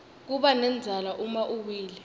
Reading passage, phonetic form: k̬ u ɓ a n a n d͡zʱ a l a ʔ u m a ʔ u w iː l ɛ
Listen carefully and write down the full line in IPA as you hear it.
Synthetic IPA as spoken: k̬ u ɓ a n ɛ n d͡zʱ a l a ʔ u m a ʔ u w iː l ɛ